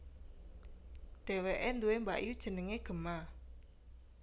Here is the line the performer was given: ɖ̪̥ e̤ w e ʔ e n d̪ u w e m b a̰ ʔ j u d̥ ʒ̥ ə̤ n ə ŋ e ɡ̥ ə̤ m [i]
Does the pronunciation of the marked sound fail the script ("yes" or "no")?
yes